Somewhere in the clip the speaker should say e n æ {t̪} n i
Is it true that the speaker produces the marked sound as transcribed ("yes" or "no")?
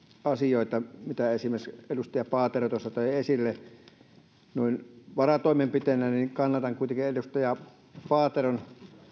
no